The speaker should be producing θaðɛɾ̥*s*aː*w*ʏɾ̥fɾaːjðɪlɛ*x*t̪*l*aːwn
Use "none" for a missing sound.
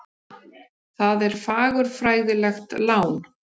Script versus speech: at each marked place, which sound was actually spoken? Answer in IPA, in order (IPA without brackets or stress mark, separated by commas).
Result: f, ɣ, x, l